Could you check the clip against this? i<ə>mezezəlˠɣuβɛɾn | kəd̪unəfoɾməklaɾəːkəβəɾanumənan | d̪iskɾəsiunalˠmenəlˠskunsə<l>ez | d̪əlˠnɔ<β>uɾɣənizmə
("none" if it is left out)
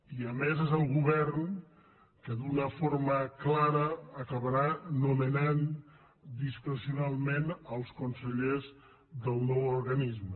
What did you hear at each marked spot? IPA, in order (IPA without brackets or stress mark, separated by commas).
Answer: ə, ʎ, w